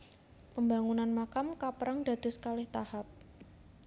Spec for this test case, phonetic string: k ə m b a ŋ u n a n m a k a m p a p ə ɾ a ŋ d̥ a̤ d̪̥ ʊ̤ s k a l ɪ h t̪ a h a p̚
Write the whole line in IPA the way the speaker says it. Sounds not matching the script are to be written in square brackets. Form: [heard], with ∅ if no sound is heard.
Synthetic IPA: [p] ə m b a ŋ u n a n m a k a m [k] a p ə ɾ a ŋ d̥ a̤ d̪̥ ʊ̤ s k a l ɪ h t̪ a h a p̚